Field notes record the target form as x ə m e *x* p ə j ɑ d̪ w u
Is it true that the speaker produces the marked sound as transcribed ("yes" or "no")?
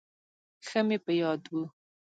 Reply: no